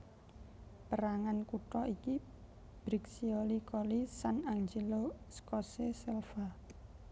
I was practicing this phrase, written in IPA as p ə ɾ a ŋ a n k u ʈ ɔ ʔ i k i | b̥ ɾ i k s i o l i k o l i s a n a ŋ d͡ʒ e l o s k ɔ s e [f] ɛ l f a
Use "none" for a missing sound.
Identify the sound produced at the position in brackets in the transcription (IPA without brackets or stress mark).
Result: s